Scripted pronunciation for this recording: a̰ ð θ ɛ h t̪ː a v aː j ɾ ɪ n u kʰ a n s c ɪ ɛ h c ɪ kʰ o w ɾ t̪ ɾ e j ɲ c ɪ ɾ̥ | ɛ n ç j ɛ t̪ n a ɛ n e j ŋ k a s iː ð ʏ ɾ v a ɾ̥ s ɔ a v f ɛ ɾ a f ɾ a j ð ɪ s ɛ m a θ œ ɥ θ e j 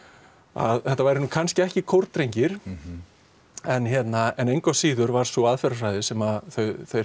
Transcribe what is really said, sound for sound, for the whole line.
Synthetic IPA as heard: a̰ ð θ ɛ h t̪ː a v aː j ɾ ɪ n u kʰ a n s c ɪ ɛ h c ɪ kʰ o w ɾ t̪ ɾ e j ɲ c ɪ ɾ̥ | ɛ n ç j ɛ t̪ n a ɛ n e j ŋ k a s iː ð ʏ ɾ v a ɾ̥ s ɔ a ð f ɛ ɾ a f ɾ a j ð ɪ s ɛ m a θ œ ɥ θ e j